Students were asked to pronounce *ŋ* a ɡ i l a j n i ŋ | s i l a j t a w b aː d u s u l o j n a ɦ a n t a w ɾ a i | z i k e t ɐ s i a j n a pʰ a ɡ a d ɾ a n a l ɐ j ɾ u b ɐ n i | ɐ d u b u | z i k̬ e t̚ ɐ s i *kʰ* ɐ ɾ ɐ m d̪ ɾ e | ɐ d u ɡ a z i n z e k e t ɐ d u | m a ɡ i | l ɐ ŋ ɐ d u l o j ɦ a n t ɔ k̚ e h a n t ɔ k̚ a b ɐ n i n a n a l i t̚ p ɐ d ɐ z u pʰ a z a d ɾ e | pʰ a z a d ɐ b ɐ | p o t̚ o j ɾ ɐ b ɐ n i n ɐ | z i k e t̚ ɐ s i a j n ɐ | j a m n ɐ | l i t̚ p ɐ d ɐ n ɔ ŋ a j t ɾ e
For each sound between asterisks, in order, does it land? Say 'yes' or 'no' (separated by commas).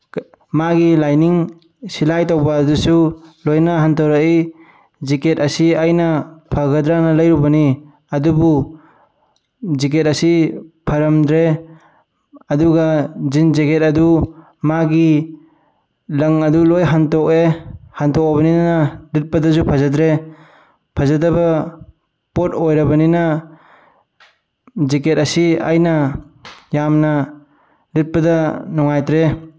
no, no